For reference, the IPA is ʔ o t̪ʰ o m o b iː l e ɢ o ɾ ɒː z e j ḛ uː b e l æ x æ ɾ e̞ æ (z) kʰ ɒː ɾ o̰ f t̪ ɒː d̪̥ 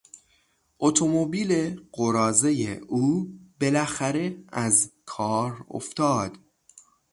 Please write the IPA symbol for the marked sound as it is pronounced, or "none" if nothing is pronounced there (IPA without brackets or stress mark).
z